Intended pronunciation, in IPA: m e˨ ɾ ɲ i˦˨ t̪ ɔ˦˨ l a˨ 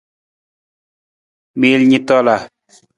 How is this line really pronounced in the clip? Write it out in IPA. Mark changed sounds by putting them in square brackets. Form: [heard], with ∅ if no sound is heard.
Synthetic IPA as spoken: m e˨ [l] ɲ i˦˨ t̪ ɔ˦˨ l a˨